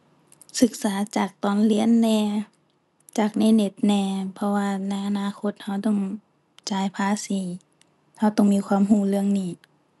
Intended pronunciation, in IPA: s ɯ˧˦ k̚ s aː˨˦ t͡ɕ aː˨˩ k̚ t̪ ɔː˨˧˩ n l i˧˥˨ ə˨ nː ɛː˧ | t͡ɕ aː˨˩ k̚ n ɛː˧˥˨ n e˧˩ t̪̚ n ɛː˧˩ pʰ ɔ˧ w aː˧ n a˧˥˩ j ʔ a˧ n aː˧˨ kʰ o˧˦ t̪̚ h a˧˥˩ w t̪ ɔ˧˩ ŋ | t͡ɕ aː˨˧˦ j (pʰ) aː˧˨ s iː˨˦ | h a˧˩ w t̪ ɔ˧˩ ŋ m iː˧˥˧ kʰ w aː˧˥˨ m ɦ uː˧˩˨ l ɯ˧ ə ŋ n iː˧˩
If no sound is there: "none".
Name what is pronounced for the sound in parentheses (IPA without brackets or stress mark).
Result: pʰ